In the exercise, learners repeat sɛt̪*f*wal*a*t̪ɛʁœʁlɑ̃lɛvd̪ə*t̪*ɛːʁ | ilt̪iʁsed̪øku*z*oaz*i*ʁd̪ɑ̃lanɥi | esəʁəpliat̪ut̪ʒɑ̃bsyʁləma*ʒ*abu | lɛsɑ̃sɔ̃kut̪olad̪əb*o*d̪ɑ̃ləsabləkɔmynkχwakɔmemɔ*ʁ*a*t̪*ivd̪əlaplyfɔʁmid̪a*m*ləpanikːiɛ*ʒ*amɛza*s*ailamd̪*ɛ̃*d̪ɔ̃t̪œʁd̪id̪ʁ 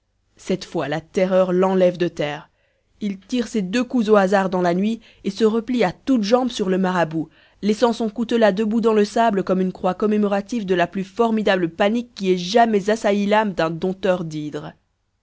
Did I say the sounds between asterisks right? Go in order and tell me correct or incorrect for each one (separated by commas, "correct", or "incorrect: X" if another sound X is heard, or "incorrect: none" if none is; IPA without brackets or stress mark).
correct, correct, correct, correct, incorrect: a, incorrect: ʁ, incorrect: u, correct, correct, incorrect: b, correct, correct, correct